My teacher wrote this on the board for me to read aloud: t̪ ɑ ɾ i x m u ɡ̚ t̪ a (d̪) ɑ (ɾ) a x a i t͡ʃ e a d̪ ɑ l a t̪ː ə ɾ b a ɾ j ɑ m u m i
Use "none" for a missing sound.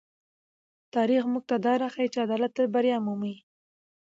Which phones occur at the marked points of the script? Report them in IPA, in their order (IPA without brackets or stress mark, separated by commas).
d̪, ɾ